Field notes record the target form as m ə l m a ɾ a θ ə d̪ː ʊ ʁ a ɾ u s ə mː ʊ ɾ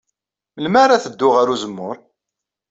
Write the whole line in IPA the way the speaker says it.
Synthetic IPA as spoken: m ə l m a ɾ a θ ə d̪ː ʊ ʁ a ɾ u z ə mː ʊ ɾ